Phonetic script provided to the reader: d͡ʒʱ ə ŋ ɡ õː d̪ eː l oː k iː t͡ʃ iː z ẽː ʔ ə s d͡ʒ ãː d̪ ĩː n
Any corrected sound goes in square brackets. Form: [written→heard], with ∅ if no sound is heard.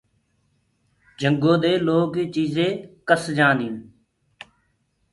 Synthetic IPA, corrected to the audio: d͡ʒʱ ə ŋ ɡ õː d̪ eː l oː k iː t͡ʃ iː z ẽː [ʔ→k] ə s d͡ʒ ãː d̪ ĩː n